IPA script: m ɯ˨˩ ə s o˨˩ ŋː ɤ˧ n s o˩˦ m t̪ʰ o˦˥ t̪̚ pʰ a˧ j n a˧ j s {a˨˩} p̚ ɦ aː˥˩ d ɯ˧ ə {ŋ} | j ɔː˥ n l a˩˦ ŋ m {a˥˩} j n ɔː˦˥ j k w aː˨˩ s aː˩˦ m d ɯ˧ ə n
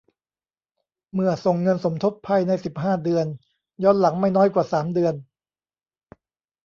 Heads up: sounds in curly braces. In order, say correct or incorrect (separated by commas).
incorrect, incorrect, correct